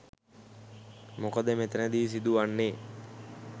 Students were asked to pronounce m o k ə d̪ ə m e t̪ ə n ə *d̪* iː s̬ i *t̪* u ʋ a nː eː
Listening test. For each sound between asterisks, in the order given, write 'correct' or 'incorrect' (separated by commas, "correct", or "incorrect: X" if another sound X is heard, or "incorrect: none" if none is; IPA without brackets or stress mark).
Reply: correct, incorrect: d̪